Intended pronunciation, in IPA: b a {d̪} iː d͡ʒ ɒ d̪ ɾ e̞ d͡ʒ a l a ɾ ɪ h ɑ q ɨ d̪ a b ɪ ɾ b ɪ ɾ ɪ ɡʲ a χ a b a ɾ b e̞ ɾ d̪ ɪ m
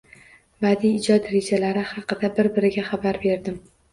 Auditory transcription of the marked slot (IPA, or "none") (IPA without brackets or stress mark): d̪